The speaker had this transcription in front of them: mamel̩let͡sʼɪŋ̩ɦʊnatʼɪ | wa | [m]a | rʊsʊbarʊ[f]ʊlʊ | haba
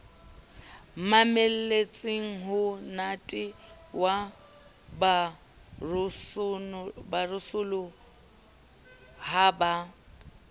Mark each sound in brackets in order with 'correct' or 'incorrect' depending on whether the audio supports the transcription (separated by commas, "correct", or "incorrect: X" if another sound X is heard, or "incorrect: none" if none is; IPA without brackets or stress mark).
incorrect: b, incorrect: s